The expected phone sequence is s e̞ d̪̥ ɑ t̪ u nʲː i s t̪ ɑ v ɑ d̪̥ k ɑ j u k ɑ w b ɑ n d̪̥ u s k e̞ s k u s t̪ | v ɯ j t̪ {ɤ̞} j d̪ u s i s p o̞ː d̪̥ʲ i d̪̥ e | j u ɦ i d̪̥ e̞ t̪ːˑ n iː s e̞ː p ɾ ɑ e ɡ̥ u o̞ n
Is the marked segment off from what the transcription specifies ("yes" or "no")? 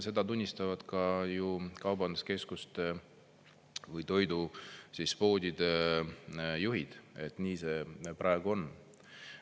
yes